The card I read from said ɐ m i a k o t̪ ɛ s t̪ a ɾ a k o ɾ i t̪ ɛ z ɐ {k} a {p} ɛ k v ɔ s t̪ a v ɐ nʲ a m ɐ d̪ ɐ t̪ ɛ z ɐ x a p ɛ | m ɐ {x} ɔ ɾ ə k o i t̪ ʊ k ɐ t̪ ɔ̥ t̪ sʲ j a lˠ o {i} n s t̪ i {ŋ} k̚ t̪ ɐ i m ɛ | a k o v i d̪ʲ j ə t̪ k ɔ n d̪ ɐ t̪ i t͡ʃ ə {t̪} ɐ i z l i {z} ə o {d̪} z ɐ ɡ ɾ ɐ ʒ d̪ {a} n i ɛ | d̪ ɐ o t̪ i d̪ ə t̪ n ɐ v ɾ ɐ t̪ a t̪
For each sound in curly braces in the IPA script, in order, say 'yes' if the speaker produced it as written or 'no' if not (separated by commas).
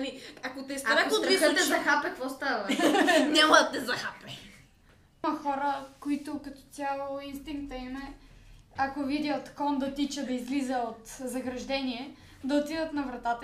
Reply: no, yes, yes, yes, yes, no, yes, no, no